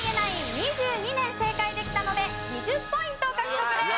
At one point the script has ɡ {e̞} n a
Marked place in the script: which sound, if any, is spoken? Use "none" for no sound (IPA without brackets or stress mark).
e̞